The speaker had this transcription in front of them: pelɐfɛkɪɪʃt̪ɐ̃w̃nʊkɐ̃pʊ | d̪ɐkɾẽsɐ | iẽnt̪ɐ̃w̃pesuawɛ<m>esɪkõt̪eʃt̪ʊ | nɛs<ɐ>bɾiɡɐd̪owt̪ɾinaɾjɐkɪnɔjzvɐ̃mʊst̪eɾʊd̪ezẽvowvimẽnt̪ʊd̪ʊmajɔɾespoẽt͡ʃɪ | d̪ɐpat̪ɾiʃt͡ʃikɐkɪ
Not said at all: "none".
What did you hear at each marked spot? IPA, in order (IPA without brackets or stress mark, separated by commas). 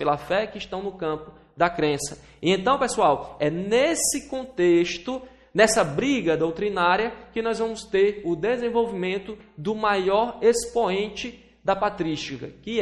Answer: n, ɐ